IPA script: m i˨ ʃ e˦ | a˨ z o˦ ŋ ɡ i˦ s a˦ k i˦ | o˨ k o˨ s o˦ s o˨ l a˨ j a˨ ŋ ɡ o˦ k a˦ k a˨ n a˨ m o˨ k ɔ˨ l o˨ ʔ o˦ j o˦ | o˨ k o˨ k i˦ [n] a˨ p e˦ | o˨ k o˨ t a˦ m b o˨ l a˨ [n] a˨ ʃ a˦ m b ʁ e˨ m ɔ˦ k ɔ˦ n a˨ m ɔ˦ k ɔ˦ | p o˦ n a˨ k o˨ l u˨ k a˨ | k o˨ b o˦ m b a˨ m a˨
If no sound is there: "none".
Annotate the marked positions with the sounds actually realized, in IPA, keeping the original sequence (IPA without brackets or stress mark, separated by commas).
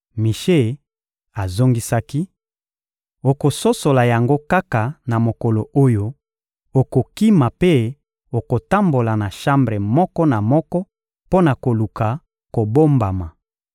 m, n